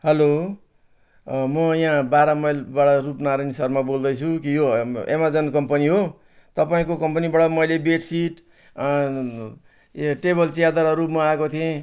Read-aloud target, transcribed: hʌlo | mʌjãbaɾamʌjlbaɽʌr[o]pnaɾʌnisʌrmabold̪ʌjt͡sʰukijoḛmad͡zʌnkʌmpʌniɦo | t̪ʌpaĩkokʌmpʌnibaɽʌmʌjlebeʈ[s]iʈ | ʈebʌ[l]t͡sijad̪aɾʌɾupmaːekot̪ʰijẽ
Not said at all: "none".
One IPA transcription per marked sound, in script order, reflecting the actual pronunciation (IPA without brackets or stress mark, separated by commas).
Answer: u, s, l